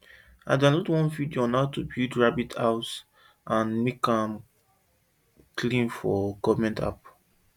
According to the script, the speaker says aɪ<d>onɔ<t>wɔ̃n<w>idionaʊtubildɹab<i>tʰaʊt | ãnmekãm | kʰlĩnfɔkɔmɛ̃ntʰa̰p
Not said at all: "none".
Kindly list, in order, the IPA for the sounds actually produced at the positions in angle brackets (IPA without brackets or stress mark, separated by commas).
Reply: d, t, v, i